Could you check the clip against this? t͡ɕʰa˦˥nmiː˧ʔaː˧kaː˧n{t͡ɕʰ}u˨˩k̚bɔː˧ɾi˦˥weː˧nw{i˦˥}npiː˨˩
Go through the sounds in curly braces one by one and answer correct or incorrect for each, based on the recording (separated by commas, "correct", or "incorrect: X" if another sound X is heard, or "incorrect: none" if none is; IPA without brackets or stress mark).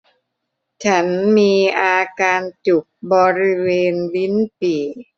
incorrect: t͡ɕ, correct